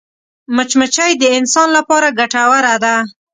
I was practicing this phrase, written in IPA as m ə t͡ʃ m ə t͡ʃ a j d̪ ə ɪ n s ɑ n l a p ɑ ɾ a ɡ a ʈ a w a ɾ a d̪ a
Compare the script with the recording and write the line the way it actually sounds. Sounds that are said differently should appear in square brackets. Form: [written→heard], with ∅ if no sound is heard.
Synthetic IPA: m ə t͡ʃ m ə t͡ʃ a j d̪ ə ɪ n s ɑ n l a p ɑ ɾ a ɡ a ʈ a w a ɾ a d̪ a